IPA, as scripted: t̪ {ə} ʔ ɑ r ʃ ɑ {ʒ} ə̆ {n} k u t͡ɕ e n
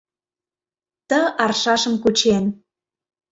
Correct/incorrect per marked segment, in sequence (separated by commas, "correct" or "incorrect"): correct, incorrect, incorrect